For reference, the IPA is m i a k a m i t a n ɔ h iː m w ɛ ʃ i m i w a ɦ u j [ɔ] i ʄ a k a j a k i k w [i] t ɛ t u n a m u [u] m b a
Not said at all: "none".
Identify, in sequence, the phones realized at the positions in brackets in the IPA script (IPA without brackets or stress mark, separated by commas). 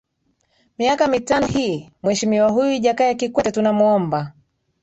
u, ɛ, ɔ